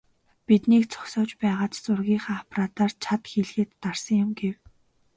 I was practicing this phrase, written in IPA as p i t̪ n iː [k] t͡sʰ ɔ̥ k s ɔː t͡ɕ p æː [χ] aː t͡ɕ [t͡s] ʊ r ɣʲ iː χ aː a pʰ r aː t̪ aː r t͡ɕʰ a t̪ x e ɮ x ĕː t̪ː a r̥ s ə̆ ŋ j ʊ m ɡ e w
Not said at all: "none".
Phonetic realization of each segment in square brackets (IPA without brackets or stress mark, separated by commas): k, ʁ, t͡s